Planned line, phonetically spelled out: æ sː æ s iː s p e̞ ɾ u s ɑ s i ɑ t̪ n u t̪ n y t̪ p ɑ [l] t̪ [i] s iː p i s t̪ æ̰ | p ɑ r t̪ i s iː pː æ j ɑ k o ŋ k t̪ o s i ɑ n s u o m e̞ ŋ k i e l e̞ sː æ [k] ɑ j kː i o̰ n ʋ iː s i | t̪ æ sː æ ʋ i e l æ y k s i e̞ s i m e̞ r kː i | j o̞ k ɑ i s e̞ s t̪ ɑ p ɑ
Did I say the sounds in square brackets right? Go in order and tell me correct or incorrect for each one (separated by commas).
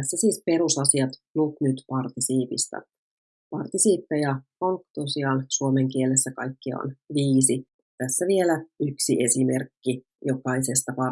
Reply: incorrect, correct, correct